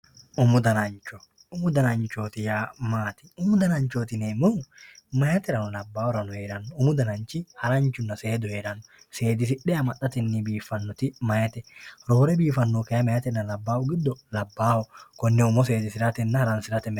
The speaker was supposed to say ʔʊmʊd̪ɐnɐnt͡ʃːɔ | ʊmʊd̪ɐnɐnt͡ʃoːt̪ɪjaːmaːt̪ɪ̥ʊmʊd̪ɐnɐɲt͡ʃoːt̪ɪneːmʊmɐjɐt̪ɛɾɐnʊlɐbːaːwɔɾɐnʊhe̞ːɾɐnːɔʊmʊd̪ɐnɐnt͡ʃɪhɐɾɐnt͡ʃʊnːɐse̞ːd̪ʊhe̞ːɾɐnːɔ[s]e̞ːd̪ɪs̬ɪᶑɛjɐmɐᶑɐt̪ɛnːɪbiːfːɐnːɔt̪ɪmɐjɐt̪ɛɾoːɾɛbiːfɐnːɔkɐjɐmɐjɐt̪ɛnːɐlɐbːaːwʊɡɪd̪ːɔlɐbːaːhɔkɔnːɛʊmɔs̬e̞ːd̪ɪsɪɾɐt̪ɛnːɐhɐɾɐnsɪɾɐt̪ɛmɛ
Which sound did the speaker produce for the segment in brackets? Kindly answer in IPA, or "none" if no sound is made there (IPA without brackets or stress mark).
s